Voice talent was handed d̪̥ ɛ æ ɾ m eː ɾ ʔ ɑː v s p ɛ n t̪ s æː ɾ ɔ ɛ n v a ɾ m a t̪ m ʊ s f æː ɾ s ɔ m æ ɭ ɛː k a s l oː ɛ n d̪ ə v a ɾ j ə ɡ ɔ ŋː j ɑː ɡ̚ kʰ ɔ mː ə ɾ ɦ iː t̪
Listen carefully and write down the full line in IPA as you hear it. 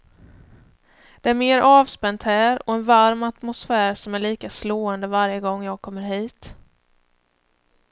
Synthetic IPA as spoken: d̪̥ ɛ æ ɾ m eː ɾ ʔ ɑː v s p ɛ n t̪ h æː ɾ ɔ ɛ n v a ɾ m a t̪ m ʊ s f æː ɾ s ɔ m æ ɭ iː k a s l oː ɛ n d̪ ə v a ɾ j ə ɡ ɔ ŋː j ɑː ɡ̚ kʰ ɔ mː ə ɾ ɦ iː t̪